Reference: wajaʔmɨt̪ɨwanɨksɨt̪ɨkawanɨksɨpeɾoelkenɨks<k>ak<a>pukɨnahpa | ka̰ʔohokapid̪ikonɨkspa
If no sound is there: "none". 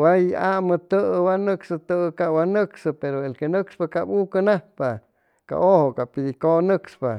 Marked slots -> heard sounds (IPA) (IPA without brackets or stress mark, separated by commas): p, a